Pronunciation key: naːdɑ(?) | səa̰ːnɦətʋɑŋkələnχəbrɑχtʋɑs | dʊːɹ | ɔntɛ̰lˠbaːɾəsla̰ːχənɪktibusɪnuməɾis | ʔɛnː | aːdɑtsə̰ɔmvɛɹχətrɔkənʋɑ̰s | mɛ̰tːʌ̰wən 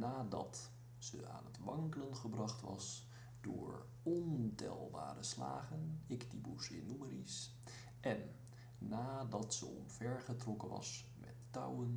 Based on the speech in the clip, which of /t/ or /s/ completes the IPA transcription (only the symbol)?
t